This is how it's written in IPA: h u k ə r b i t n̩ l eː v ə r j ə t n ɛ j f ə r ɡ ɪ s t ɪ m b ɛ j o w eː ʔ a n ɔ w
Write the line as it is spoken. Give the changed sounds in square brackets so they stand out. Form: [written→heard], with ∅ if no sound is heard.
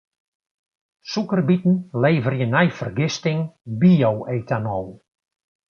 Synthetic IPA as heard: [h→s] u k ə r b i t n̩ l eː v ə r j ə [t→∅] n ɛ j f ə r ɡ ɪ s t ɪ [m→ŋ] b [ɛ→i] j o w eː [ʔ→t] a n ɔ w